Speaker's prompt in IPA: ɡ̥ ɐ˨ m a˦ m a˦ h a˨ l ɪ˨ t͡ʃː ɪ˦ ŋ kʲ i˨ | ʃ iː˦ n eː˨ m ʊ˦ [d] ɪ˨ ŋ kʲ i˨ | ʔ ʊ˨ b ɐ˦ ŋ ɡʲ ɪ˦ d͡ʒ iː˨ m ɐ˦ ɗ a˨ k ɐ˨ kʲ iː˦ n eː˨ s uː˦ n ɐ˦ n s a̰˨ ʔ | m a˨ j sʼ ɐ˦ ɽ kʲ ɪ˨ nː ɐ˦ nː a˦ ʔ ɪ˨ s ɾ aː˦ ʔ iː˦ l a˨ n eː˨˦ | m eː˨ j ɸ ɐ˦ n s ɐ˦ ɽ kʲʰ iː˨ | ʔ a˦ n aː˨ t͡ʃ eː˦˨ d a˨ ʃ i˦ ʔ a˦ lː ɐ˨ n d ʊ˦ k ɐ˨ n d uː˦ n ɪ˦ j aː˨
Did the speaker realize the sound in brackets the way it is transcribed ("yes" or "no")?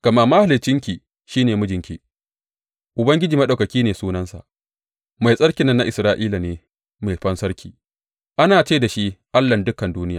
no